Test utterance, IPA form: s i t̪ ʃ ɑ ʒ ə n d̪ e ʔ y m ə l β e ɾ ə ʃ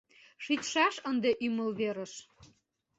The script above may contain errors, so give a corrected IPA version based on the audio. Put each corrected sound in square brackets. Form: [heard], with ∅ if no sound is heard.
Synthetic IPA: [ʃ] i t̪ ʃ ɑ [ʃ] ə n d̪ e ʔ y m ə l β e ɾ ə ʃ